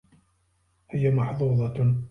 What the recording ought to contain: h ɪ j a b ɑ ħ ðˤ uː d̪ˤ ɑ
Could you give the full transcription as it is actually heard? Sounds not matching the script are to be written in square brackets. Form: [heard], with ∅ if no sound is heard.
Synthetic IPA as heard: h ɪ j a [m] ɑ ħ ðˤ uː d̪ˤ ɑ